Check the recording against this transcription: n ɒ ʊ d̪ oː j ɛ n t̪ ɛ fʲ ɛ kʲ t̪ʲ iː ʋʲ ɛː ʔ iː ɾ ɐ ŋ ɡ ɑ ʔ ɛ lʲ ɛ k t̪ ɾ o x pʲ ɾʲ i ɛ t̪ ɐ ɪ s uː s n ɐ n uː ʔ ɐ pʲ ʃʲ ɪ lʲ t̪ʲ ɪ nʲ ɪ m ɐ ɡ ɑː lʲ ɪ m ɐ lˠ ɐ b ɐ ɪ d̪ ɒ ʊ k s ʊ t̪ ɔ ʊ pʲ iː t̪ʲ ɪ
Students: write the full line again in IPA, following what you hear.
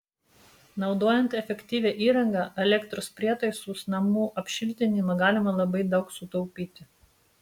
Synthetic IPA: n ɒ ʊ d̪ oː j ɛ n t̪ ɛ fʲ ɛ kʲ t̪ʲ iː ʋʲ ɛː ʔ iː ɾ ɐ ŋ ɡ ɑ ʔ ɛ lʲ ɛ k t̪ ɾ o s pʲ ɾʲ i ɛ t̪ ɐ ɪ s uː s n ɐ m uː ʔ ɐ pʲ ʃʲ ɪ lʲ t̪ʲ ɪ nʲ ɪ m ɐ ɡ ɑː lʲ ɪ m ɐ lˠ ɐ b ɐ ɪ d̪ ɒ ʊ k s ʊ t̪ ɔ ʊ pʲ iː t̪ʲ ɪ

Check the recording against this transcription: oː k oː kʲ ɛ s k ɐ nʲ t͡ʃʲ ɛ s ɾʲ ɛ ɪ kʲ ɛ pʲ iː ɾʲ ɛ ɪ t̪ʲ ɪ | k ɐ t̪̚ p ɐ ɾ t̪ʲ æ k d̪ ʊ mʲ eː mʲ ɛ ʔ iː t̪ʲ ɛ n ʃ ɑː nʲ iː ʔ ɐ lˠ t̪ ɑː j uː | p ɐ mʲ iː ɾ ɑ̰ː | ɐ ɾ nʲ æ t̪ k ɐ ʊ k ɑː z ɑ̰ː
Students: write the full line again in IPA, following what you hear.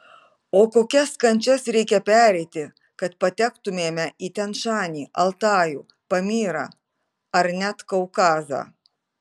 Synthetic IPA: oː k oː kʲ ɛ s k ɐ nʲ t͡ʃʲ ɛ s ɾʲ ɛ ɪ kʲ ɛ pʲ æː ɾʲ ɛ ɪ t̪ʲ ɪ | k ɐ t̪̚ p ɐ t̪ʲ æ k t̪ ʊ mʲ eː mʲ ɛ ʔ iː t̪ʲ ɛ n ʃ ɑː nʲ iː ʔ ɐ lˠ t̪ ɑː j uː | p ɐ mʲ iː ɾ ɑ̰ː | ɐ ɾ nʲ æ t̪ k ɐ ʊ k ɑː z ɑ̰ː

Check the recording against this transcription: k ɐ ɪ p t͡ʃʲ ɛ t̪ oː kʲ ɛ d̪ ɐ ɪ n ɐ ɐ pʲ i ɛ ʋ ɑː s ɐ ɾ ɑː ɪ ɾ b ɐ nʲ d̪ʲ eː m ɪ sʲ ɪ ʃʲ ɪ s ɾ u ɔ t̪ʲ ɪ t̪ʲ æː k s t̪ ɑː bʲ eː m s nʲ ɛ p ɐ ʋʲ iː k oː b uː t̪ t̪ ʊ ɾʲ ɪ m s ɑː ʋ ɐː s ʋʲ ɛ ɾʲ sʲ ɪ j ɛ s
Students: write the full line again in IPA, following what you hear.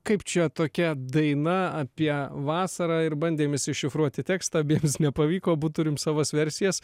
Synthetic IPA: k ɐ ɪ p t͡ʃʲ ɛ t̪ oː kʲ ɛ d̪ ɐ ɪ n ɐ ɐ pʲ i ɛ ʋ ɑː s ɐ ɾ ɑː ɪ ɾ b ɐ nʲ d̪ʲ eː m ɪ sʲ ɪ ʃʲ ɪ f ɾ u ɔ t̪ʲ ɪ t̪ʲ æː k s t̪ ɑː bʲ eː m s nʲ ɛ p ɐ ʋʲ iː k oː b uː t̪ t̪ ʊ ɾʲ ɪ m s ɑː ʋ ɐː s ʋʲ ɛ ɾʲ sʲ ɪ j ɛ s

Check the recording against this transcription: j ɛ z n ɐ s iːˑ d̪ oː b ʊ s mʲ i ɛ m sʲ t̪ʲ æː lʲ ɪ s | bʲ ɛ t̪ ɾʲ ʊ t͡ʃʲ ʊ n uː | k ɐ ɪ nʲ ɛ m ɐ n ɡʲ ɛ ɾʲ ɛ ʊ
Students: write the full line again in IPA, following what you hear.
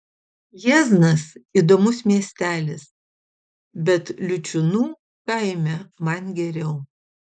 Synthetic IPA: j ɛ z n ɐ s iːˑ d̪ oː m ʊ s mʲ i ɛ sʲ t̪ʲ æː lʲ ɪ s | bʲ ɛ t̪ lʲ ʊ t͡ʃʲ ʊ n uː | k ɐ ɪ mʲ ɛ m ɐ n ɡʲ ɛ ɾʲ ɛ ʊ

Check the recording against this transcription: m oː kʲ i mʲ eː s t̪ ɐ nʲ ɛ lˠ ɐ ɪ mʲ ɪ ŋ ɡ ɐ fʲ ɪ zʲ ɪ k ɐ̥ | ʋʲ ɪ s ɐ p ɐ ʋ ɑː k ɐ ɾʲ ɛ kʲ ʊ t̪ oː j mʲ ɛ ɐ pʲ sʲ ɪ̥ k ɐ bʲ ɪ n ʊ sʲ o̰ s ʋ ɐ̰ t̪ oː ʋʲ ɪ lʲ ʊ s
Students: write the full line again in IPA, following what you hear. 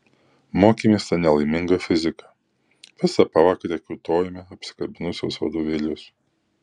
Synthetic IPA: m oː kʲ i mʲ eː s t̪ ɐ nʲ ɛ lˠ ɐ ɪ mʲ ɪ ŋ ɡ ɐ fʲ ɪ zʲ ɪ k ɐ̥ | ʋʲ ɪ s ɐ p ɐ ʋ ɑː k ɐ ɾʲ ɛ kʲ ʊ t̪ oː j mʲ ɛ ɐ pʲ sʲ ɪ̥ k ɐ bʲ ɪ n ʊ sʲ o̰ s ʋ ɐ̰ d̪ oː ʋʲ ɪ lʲ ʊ s

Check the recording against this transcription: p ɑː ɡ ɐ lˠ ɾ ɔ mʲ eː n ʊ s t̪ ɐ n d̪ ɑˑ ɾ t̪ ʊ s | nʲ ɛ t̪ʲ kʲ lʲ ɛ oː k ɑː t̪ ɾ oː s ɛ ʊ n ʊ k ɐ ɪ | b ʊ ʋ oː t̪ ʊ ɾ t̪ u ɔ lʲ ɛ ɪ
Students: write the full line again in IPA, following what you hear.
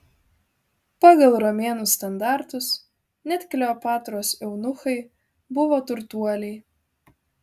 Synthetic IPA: p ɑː ɡ ɐ lˠ ɾ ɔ mʲ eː n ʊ s t̪ ɐ n d̪ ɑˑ ɾ t̪ ʊ s | nʲ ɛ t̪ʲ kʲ lʲ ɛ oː p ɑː t̪ ɾ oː s ɛ ʊ n ʊ x ɐ ɪ | b ʊ ʋ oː t̪ ʊ ɾ t̪ u ɔ lʲ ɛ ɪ

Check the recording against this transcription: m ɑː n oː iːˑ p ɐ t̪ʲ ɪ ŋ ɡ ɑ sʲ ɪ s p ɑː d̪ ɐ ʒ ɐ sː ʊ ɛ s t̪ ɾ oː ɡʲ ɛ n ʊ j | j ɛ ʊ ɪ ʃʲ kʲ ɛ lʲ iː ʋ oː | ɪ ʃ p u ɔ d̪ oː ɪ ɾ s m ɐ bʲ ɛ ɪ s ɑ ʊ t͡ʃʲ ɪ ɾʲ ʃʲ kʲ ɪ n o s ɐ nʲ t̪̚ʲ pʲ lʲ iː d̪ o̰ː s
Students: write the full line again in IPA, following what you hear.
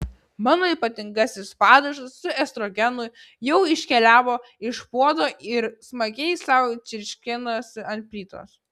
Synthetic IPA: m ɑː n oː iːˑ p ɐ t̪ʲ ɪ ŋ ɡ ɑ sʲ ɪ s p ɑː d̪ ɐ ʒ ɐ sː ʊ ɛ s t̪ ɾ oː ɡʲ ɛ n ʊ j | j ɛ ʊ ɪ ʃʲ kʲ ɛ lʲ æː ʋ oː | ɪ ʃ p u ɔ d̪ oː ɪ ɾ s m ɐ ɡʲ ɛ ɪ s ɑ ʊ t͡ʃʲ ɪ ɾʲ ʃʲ kʲ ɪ n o s ɐ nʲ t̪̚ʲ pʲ lʲ iː t̪ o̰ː s

